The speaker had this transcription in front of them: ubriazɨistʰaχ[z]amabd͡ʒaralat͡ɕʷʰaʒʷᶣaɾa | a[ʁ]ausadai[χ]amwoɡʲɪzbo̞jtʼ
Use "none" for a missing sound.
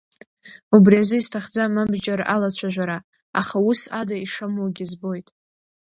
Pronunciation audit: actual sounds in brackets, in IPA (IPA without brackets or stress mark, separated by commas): d͡z, χ, ʂ